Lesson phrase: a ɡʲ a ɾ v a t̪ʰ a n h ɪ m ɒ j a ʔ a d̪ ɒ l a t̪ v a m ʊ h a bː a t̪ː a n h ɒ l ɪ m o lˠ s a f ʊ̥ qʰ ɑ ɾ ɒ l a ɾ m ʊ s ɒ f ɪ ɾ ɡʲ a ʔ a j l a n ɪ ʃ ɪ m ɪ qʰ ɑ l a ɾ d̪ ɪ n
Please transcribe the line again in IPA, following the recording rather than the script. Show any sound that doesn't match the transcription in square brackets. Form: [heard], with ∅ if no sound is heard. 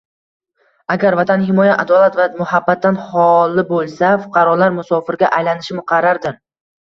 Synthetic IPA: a ɡʲ a ɾ v a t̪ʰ a n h ɪ m ɒ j a ʔ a d̪ ɒ l a t̪ v a m ʊ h a bː a t̪ː a n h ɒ l ɪ [b] o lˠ s a f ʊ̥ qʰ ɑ ɾ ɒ l a ɾ m ʊ s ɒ f ɪ ɾ ɡʲ a ʔ a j l a n ɪ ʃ ɪ m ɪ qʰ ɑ [ɾ] a ɾ d̪ ɪ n